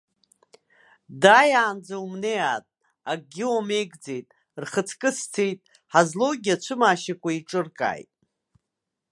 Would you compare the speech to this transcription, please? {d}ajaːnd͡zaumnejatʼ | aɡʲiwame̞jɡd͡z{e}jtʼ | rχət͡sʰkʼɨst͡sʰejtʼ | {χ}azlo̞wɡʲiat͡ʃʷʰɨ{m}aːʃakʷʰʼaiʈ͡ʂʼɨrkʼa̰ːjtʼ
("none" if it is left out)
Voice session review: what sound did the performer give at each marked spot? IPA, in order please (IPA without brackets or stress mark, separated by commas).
d, e, ħ, m